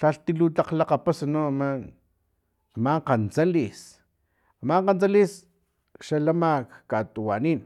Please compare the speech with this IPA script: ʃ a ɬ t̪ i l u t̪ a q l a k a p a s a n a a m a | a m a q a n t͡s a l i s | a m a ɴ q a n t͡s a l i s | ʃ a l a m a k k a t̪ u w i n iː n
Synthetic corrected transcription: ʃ a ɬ t̪ i l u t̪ a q l a q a p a s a n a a m a | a m a q a n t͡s a l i s | a m a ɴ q a n t͡s a l i s | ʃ a l a m a k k a t̪ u w a n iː n